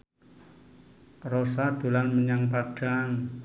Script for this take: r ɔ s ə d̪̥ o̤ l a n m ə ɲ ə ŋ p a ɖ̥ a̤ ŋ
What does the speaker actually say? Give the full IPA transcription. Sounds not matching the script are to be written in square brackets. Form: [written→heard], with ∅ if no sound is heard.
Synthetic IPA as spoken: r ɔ s [ə→a] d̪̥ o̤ l a n m ə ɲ [ə→a] ŋ p a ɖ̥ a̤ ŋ